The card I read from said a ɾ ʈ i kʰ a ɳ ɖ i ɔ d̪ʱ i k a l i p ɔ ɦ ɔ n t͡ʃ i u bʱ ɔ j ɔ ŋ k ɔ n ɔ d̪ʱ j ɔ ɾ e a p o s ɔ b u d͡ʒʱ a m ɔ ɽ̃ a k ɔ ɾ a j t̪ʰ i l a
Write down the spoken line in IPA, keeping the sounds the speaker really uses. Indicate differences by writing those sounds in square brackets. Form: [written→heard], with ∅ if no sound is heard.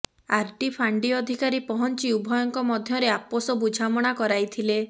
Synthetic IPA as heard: a ɾ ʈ i [kʰ→pʰ] a ɳ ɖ i ɔ d̪ʱ i k a [l→ɾ] i p ɔ ɦ ɔ n t͡ʃ i u bʱ ɔ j ɔ ŋ k ɔ [n→m] ɔ d̪ʱ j ɔ ɾ e a p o s ɔ b u d͡ʒʱ a m ɔ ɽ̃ a k ɔ ɾ a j t̪ʰ i l [a→e]